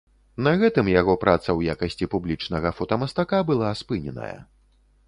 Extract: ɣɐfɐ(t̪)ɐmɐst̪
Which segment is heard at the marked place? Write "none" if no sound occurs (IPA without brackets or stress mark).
t̪